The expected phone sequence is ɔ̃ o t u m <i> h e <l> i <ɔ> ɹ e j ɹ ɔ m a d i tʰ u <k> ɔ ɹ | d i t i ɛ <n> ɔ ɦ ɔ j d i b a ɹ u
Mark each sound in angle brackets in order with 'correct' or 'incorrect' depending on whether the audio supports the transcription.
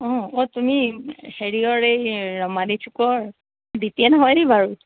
correct, incorrect: ɹ, correct, correct, correct

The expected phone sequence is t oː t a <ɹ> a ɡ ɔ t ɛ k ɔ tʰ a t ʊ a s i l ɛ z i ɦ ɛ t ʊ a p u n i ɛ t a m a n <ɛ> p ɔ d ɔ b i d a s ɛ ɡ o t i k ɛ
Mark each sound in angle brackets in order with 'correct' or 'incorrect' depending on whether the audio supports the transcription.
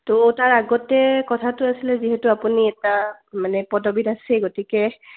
correct, correct

